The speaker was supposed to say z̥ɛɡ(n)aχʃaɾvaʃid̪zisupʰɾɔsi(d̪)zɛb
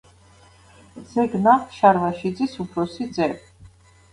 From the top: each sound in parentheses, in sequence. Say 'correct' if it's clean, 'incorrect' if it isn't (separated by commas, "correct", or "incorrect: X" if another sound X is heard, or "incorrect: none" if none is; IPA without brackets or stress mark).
correct, correct